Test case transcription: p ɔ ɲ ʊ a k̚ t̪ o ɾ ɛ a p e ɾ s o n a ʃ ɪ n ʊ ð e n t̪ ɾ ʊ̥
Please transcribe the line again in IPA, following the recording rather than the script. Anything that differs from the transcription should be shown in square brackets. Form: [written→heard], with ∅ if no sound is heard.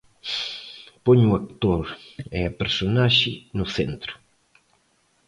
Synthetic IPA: p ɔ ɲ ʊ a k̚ t̪ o ɾ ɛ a p e ɾ s o n a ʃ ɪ n ʊ [ð→θ] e n t̪ ɾ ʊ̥